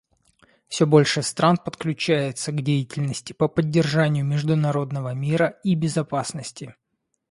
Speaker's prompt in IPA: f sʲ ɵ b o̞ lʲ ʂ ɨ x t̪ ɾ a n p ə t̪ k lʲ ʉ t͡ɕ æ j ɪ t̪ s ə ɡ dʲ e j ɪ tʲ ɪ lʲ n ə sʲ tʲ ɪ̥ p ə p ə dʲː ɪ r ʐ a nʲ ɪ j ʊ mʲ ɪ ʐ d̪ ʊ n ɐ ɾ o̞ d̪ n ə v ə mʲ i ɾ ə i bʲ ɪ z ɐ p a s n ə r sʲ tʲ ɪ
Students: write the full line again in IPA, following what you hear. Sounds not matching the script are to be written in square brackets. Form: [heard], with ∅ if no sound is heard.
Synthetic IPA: f sʲ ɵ b o̞ lʲ ʂ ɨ [s] t̪ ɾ a n p ə t̪ k lʲ ʉ t͡ɕ æ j ɪ t̪ s ə ɡ dʲ e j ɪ tʲ ɪ lʲ n ə sʲ tʲ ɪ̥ p ə p ə dʲː ɪ r ʐ a nʲ ɪ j ʊ mʲ ɪ ʐ d̪ ʊ n ɐ ɾ o̞ d̪ n ə v ə mʲ i ɾ ə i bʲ ɪ z ɐ p a s n ə [∅] sʲ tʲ ɪ